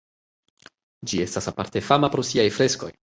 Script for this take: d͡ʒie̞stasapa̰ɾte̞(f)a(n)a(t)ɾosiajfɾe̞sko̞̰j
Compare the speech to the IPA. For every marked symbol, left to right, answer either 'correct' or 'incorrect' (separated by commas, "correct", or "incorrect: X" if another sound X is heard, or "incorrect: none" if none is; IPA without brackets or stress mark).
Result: correct, incorrect: m, incorrect: p